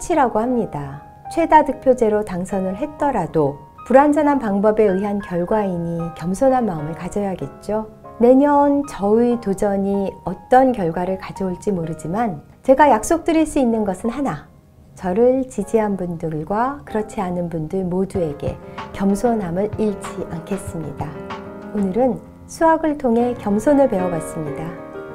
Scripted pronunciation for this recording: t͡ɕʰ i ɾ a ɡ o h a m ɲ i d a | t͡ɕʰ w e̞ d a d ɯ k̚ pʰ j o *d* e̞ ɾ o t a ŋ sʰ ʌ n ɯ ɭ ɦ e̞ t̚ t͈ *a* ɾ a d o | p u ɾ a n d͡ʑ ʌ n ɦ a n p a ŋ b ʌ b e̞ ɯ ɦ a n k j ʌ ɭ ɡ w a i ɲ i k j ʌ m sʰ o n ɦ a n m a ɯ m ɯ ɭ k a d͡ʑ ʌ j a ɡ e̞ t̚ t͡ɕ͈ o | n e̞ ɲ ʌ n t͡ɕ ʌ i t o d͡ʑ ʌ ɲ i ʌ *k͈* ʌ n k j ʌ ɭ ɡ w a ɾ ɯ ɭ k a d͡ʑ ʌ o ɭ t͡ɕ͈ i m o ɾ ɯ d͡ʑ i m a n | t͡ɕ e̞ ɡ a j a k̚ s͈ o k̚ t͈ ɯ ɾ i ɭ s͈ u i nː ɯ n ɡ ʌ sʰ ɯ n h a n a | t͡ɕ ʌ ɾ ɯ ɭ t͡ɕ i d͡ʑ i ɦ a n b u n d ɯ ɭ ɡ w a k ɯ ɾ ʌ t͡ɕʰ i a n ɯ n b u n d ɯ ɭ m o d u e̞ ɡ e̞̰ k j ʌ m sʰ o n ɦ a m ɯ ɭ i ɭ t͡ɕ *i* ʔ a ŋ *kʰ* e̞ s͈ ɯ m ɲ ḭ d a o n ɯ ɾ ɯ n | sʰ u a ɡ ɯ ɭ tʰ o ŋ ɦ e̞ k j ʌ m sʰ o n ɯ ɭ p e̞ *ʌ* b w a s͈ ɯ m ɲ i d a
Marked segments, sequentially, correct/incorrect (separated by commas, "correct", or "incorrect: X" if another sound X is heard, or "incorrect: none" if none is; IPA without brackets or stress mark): incorrect: d͡ʑ, incorrect: ʌ, incorrect: t͈, correct, correct, correct